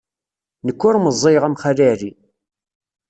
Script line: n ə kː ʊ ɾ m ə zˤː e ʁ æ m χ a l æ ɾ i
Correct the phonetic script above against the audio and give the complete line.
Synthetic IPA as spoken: n ə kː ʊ ɾ m ə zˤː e ʁ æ m χ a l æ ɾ i